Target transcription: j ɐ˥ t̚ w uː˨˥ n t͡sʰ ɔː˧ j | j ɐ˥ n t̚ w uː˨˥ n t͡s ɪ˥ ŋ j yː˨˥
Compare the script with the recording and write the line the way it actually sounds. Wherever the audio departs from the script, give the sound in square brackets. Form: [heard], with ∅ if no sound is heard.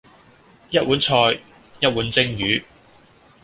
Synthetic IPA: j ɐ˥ t̚ w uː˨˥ n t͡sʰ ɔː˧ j | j ɐ˥ [∅] t̚ w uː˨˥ n t͡s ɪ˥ ŋ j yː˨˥